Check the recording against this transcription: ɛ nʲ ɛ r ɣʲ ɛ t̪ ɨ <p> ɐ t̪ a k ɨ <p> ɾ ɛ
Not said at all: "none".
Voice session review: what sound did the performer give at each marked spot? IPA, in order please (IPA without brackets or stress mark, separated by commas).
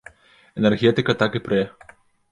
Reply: k, p